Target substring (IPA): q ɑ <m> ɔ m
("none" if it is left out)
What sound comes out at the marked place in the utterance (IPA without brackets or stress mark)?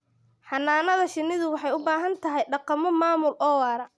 m